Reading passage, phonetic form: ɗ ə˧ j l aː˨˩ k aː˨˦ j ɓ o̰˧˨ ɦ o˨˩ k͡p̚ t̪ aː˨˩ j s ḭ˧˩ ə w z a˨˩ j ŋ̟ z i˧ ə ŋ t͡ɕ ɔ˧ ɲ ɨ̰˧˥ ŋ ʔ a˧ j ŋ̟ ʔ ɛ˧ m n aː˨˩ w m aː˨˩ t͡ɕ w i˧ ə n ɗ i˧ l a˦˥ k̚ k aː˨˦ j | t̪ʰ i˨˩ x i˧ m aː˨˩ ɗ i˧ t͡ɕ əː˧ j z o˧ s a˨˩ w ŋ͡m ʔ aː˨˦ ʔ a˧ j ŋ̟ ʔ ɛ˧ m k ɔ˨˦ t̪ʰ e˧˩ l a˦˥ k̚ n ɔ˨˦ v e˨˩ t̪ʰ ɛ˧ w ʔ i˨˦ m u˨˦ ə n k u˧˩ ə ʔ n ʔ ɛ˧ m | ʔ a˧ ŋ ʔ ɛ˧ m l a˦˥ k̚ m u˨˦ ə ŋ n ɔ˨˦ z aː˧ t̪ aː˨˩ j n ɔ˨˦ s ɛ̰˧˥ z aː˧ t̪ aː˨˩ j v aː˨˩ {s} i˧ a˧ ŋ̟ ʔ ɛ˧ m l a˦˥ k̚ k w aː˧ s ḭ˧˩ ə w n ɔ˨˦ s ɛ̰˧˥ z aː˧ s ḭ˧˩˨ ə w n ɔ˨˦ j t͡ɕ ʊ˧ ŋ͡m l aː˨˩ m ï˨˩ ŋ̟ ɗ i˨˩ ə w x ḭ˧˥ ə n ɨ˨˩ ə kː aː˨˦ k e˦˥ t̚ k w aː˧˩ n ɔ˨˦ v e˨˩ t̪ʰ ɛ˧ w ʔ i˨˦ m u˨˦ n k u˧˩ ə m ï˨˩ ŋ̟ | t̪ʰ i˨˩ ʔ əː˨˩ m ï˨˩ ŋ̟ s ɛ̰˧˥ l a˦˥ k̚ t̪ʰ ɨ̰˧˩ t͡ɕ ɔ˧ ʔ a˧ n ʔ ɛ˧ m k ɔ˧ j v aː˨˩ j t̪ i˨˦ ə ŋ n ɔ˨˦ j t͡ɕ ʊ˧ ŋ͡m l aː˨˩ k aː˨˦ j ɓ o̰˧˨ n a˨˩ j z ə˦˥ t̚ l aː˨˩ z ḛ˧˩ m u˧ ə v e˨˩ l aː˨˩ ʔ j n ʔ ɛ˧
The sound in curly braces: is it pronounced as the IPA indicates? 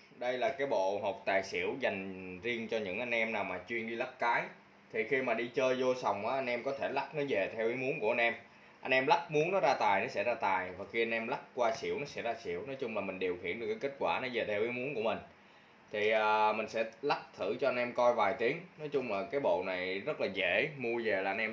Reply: no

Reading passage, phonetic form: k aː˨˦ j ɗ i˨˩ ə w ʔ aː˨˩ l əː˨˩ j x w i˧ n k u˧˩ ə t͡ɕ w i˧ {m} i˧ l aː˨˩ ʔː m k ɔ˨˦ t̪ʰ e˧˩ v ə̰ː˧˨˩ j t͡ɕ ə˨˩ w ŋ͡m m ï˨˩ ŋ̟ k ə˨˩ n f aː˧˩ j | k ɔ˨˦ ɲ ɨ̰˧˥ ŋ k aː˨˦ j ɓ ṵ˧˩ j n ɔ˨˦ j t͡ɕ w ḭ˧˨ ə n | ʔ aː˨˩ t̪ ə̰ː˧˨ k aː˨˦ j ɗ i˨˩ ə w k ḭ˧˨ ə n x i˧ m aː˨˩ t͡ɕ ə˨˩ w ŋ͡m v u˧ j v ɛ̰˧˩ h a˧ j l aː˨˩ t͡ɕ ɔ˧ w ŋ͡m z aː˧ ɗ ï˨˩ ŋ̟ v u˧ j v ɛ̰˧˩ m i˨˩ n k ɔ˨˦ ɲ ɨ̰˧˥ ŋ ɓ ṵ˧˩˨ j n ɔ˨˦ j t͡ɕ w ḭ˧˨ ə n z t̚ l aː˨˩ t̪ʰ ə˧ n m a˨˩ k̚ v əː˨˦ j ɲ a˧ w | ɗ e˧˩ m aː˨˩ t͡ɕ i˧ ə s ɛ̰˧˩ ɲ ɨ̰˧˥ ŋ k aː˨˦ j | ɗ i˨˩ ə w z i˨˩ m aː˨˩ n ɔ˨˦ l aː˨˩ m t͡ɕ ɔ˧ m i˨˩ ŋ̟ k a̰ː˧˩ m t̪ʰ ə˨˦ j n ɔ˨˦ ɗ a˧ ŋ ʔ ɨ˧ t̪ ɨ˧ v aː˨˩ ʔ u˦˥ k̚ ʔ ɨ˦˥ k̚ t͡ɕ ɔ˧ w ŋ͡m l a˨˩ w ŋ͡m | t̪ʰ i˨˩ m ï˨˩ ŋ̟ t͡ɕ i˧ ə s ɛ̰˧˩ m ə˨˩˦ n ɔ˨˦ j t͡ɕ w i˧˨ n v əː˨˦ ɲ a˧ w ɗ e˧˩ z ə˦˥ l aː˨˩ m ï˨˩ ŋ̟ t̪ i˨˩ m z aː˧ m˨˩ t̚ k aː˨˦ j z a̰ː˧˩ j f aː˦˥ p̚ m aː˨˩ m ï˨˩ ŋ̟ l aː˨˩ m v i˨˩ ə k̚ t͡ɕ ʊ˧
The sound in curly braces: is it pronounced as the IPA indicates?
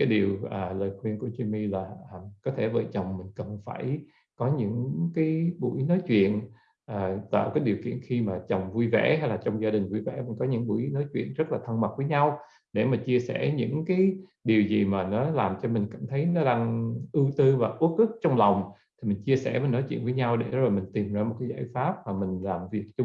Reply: yes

